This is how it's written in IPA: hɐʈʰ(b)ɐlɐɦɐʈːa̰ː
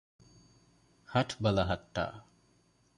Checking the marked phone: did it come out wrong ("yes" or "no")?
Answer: no